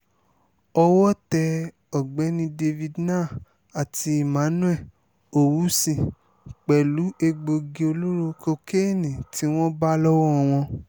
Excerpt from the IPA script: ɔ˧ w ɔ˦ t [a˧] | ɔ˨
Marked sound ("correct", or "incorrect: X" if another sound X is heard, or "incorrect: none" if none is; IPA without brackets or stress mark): incorrect: ɛ˧